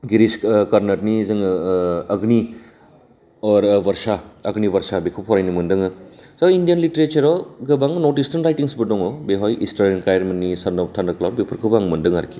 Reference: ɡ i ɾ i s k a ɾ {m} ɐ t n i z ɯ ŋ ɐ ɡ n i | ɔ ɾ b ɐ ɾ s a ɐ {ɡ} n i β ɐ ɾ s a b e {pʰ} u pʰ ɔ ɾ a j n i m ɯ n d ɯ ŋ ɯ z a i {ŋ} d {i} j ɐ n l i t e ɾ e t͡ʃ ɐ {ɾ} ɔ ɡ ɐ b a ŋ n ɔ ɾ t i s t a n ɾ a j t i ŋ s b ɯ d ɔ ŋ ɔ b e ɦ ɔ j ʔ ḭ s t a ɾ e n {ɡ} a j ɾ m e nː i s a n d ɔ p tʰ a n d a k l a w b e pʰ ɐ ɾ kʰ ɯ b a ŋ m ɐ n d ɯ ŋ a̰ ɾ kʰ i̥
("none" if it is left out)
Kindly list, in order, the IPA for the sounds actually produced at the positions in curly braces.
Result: n, ɡ, kʰ, n, i, ɾ, k

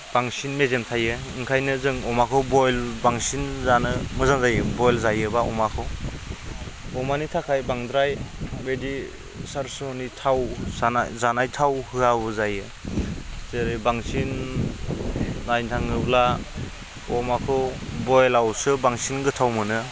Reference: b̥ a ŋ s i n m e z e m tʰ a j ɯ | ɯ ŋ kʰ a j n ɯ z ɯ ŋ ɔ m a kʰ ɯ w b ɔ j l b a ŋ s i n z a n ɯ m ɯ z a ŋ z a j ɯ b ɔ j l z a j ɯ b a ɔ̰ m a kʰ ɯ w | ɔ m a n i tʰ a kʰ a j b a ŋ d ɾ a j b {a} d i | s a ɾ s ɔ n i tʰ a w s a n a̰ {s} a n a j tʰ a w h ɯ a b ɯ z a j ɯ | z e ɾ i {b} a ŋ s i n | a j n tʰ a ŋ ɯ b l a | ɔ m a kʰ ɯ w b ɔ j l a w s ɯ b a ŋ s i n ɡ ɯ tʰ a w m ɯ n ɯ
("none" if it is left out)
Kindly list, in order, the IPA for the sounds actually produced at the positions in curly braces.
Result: e, z, b

